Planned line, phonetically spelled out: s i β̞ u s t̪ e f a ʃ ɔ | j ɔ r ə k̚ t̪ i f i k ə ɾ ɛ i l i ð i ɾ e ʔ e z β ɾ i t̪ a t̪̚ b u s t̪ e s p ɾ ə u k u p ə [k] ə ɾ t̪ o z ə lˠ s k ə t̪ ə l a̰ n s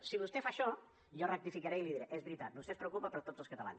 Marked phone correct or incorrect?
incorrect